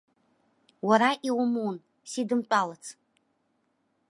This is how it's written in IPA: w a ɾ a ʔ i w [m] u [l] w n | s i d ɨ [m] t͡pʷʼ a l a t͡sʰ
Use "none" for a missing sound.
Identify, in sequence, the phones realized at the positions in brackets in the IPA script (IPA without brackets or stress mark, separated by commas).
m, none, m